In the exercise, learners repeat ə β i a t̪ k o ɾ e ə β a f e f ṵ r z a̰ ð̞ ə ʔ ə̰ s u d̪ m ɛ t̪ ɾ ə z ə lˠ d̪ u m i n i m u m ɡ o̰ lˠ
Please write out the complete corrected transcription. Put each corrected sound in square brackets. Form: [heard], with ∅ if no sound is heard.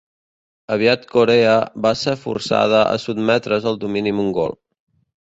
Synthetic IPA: ə β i a t̪ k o ɾ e ə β a [s] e f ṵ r [s] a̰ ð̞ ə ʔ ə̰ s u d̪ m ɛ t̪ ɾ ə z ə lˠ d̪ u m i n i m u [ŋ] ɡ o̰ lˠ

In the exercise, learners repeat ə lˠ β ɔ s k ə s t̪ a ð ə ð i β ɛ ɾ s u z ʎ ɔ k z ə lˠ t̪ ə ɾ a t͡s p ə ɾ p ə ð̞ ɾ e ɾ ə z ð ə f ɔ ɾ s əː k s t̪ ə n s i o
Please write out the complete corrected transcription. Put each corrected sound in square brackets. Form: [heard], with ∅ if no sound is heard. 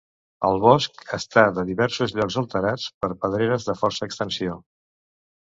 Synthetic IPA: ə lˠ β ɔ s k ə s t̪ a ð ə ð i β ɛ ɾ s u z ʎ ɔ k z ə lˠ t̪ ə ɾ a t͡s p ə ɾ p ə ð̞ ɾ e ɾ ə z ð ə f ɔ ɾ s əː k s t̪ ə n s i o

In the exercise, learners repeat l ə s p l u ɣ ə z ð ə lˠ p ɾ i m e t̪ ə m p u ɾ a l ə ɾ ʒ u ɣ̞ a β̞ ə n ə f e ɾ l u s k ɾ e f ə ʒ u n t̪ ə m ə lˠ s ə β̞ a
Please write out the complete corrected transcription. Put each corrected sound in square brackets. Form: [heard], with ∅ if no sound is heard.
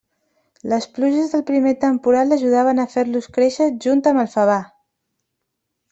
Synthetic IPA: l ə s p l u [ʒ] ə z ð ə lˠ p ɾ i m e t̪ ə m p u ɾ a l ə [∅] ʒ u [ð̞] a β̞ ə n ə f e ɾ l u s k ɾ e [ʃ] ə ʒ u n t̪ ə m ə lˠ [f] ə β̞ a

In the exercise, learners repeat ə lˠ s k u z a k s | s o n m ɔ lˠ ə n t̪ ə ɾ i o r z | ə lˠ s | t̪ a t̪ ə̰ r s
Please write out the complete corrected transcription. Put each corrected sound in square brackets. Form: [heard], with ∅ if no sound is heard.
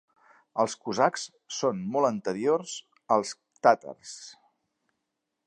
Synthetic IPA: ə lˠ s k u z a k s | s o n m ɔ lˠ ə n t̪ ə ɾ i o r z | ə lˠ s | t̪ a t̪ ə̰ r s

